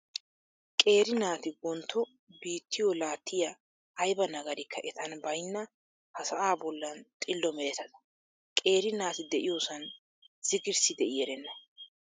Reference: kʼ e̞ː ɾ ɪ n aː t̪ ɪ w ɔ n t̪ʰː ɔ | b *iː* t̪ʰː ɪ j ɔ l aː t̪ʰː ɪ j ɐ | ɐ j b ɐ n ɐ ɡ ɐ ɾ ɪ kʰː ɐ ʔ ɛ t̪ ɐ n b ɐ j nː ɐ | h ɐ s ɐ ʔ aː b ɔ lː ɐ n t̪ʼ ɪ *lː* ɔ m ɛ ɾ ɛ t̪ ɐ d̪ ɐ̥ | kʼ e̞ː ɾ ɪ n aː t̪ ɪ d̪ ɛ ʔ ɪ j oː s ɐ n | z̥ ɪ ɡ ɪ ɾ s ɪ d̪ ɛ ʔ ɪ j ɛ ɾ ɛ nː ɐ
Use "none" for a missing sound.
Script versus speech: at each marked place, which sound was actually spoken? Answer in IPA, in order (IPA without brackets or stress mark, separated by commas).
iː, lː